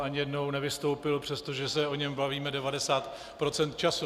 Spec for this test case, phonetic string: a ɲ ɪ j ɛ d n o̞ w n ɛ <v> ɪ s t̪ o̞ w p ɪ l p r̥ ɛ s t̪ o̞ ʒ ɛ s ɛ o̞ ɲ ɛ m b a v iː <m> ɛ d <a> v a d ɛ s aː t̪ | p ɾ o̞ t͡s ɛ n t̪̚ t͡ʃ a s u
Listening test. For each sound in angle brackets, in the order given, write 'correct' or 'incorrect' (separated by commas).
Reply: correct, correct, incorrect